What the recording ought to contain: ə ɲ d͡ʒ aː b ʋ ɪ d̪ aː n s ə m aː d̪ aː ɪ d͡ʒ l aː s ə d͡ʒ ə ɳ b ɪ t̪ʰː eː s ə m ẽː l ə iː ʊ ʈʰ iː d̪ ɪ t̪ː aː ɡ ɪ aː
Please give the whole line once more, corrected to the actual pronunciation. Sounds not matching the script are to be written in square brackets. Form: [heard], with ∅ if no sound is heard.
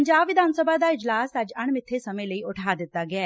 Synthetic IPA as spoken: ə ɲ d͡ʒ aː b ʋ ɪ d̪ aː n s ə [b] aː d̪ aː ɪ d͡ʒ l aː s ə d͡ʒ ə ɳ [m] ɪ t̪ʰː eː s ə m ẽː l ə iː ʊ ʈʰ [aː] d̪ ɪ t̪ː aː ɡ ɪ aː